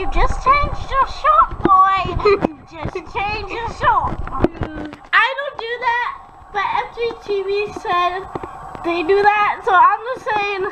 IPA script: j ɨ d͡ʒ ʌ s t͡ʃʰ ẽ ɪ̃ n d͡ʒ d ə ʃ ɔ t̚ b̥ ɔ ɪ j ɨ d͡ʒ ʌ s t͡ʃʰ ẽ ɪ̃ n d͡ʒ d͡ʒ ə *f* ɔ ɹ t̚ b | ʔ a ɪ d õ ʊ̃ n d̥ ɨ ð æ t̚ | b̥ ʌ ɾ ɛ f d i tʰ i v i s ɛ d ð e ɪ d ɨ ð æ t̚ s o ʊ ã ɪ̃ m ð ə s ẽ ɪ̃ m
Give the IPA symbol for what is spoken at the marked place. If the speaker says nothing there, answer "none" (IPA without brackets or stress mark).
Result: ʃ